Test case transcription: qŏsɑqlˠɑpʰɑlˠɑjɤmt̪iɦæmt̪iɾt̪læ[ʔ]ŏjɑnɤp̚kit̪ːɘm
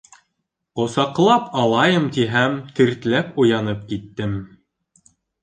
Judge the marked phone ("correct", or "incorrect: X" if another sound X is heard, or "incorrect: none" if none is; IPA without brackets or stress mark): incorrect: p